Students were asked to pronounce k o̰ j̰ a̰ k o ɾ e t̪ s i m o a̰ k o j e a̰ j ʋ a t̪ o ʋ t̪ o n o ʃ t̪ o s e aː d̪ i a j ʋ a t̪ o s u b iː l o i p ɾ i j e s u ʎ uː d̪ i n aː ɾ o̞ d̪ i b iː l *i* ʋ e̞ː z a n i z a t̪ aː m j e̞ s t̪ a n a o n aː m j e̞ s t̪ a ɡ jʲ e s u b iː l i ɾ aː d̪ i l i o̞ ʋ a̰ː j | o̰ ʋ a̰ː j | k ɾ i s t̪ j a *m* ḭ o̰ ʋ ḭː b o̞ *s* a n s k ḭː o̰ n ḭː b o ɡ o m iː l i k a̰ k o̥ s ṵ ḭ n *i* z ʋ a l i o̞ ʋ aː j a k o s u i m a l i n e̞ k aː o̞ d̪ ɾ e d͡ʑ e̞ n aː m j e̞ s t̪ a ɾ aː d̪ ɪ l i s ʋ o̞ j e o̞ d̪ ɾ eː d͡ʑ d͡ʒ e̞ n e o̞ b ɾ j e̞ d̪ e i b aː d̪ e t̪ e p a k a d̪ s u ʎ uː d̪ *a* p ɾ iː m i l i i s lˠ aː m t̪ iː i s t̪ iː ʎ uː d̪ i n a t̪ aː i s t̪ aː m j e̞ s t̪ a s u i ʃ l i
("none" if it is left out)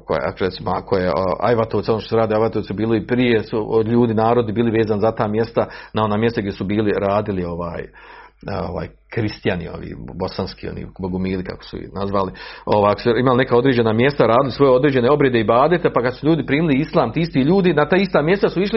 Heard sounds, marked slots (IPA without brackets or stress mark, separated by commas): i, n, s, a, i